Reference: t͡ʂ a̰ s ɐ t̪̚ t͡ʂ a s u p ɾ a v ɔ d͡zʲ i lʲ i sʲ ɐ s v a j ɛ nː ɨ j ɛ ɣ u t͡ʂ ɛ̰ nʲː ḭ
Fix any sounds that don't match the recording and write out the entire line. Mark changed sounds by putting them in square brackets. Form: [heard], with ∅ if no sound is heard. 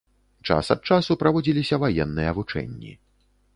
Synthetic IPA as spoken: t͡ʂ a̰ s ɐ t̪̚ t͡ʂ a s u p ɾ a v ɔ d͡zʲ i lʲ i sʲ ɐ [∅] v a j ɛ nː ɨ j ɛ [v] u t͡ʂ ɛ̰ nʲː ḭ